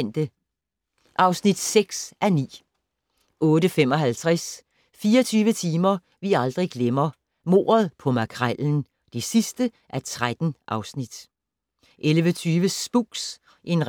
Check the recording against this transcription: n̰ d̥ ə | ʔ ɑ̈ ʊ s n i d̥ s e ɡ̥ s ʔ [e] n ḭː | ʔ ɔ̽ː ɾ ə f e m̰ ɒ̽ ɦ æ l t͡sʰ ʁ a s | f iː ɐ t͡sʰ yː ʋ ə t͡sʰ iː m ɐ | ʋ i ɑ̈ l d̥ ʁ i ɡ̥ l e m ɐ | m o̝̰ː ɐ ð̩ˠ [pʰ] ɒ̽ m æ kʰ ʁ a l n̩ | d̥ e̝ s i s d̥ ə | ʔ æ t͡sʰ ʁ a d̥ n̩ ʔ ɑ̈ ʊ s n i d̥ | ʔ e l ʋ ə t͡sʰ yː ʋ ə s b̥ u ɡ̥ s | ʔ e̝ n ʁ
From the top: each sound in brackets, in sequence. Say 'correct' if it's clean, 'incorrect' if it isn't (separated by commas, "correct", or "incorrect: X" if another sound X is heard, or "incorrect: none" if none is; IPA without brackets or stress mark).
incorrect: æ, correct